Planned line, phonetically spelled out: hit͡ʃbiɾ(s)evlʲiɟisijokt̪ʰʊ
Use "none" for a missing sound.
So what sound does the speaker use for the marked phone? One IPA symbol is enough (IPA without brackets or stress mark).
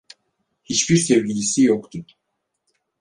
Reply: s